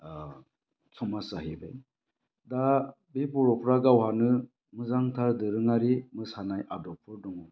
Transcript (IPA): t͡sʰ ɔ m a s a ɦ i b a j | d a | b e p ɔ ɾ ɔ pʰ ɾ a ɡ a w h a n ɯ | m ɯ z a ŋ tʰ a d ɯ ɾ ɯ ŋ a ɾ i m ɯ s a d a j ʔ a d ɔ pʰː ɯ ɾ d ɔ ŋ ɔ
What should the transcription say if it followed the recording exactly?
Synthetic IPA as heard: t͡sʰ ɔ m a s a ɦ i b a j | d a | b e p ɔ ɾ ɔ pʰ ɾ a ɡ a w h a n ɯ | m ɯ z a ŋ tʰ a d ɯ ɾ ɯ ŋ a ɾ i m ɯ s a n a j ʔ a d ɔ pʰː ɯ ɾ d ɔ ŋ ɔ